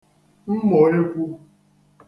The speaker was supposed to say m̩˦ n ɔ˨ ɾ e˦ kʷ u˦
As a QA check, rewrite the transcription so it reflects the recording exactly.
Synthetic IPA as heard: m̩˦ m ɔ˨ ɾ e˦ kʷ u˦